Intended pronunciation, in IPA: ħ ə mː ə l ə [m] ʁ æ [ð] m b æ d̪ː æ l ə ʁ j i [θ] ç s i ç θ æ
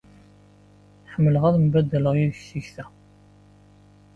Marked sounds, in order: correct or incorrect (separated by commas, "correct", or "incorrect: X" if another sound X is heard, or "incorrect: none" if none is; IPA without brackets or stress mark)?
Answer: incorrect: none, correct, incorrect: ð